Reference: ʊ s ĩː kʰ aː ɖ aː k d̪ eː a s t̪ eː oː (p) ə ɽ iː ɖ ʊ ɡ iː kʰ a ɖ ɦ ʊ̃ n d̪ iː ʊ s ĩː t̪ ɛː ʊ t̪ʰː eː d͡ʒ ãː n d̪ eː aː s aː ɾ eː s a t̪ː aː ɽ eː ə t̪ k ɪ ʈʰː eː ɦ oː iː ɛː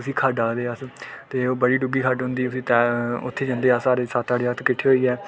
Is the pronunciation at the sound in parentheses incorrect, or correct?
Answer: incorrect